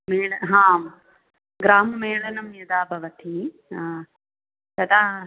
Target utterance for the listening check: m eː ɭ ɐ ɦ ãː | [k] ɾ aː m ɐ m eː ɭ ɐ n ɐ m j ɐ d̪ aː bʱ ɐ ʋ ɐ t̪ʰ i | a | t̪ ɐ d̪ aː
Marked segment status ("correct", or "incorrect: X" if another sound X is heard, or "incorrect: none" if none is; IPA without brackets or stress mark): incorrect: ɡ